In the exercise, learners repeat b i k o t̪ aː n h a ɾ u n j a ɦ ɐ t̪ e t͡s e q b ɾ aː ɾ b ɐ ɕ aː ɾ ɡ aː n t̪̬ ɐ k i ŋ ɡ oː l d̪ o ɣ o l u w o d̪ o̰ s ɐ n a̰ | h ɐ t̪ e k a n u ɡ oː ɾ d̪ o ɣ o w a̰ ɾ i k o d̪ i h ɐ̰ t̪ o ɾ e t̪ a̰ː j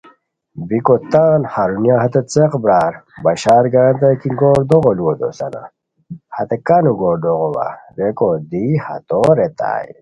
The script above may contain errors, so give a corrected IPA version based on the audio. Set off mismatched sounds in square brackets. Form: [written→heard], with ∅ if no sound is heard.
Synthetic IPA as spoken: b i k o t̪ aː n h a ɾ u n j a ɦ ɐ t̪ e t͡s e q b ɾ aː ɾ b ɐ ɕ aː ɾ ɡ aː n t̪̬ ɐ k i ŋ ɡ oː [l→ɾ] d̪ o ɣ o l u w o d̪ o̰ s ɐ n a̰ | h ɐ t̪ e k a n u ɡ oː ɾ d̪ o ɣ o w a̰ ɾ [i→e] k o d̪ i h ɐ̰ t̪ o ɾ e t̪ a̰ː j

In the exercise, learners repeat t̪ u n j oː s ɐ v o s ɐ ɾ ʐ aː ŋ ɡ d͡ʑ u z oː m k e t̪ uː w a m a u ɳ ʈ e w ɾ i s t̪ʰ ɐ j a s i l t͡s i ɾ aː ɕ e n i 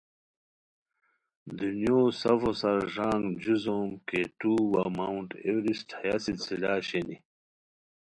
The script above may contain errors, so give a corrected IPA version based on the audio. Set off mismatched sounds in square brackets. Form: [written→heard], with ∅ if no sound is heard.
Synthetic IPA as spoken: [t̪→d̪] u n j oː s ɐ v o s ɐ ɾ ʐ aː ŋ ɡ d͡ʑ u z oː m k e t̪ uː w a m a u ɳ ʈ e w ɾ i s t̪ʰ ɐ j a s i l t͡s i [ɾ→l] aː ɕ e n i

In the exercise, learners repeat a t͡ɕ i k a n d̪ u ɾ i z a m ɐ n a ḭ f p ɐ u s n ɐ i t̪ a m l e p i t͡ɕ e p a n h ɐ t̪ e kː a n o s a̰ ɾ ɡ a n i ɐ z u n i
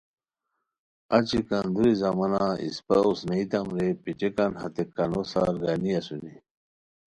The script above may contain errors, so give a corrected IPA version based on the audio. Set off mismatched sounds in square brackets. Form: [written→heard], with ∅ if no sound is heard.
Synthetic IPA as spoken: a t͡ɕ i k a n d̪ u ɾ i z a m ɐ n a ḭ [f→s] p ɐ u s n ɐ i t̪ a m [l→ɾ] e p i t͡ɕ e [p→k] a n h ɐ t̪ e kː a n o s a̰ ɾ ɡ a n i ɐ [z→s] u n i

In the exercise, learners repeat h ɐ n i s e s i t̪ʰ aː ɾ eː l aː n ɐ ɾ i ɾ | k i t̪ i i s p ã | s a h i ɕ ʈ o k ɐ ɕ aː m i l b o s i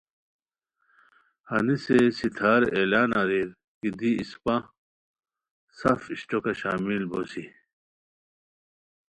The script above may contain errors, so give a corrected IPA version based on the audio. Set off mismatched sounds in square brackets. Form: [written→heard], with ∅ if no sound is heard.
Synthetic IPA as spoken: h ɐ n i s e s i t̪ʰ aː ɾ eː l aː n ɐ ɾ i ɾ | k i [t̪→d̪] i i s p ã | s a [h→f] i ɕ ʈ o k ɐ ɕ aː m i l b o s i

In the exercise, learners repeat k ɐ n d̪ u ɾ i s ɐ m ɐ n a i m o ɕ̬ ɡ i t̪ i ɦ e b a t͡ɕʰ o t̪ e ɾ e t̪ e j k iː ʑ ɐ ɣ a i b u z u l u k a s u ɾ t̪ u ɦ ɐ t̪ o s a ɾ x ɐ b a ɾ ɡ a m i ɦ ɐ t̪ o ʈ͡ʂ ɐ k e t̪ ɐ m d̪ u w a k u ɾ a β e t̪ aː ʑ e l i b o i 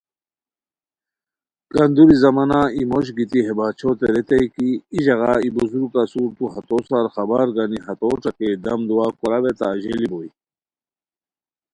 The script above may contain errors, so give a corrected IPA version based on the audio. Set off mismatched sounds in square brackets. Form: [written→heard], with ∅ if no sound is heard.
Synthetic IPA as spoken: k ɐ n d̪ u ɾ i [s→z] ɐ m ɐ n a i m o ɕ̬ ɡ i t̪ i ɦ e b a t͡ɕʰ o t̪ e ɾ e t̪ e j k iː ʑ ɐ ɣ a i b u z u [l→ɾ] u k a s u ɾ t̪ u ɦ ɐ t̪ o s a ɾ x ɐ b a ɾ ɡ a [m→n] i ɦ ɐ t̪ o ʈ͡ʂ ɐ k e [t̪→d̪] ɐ m d̪ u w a k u ɾ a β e t̪ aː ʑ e l i b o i

